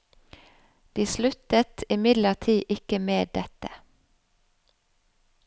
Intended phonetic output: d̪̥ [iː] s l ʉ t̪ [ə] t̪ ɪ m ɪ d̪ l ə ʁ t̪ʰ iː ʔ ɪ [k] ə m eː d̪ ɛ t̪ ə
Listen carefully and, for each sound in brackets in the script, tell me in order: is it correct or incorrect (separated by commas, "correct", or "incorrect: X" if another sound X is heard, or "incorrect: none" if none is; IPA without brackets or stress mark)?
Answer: correct, correct, correct